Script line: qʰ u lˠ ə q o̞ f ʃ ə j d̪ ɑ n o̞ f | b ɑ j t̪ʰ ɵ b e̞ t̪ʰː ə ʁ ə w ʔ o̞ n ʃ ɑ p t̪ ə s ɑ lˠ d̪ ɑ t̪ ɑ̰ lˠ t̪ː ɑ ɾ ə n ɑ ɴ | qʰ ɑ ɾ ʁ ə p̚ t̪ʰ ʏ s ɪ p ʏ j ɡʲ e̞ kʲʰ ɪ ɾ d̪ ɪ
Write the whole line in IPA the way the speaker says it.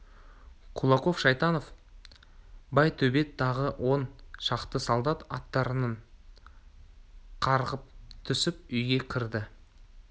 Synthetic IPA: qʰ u lˠ ɑ q o̞ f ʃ ɑ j t̪ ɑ n o̞ f | b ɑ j t̪ʰ ɵ b e̞ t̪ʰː ɑ ʁ ə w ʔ o̞ n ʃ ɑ q t̪ ə s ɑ lˠ d̪ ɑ t̪ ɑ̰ t̪ː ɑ ɾ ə n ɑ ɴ | qʰ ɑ ɾ ʁ ə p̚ t̪ʰ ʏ s ɪ p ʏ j ɡʲ e̞ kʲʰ ɪ ɾ d̪ ɪ